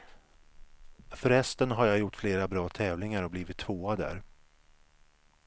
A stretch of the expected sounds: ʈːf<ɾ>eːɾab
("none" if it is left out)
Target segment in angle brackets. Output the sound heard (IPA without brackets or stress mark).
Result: l